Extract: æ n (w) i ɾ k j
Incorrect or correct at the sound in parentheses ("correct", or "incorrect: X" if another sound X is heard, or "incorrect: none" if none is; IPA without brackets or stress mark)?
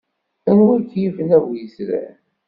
correct